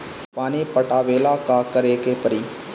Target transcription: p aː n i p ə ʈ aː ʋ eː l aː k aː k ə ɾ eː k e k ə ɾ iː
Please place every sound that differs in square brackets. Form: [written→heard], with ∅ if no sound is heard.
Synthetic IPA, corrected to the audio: p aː n i p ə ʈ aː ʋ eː l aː k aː k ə ɾ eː k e [k→p] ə ɾ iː